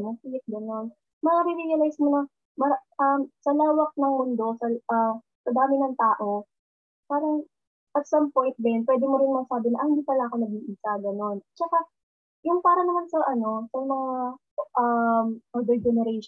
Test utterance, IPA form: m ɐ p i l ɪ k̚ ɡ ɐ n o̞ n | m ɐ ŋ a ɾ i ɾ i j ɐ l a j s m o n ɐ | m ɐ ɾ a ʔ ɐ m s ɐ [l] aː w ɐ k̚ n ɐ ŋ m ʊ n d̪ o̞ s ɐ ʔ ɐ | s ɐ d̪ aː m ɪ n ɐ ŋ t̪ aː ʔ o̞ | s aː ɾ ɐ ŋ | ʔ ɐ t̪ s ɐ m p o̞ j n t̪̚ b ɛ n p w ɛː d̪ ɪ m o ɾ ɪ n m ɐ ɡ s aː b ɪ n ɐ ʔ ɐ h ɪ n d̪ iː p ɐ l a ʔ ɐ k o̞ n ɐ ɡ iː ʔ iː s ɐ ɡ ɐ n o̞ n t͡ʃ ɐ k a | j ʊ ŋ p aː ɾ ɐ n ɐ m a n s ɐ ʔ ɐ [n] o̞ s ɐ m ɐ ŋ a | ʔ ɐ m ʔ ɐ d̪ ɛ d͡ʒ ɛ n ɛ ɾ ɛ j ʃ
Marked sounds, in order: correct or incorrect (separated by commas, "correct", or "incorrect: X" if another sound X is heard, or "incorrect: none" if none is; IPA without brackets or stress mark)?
correct, correct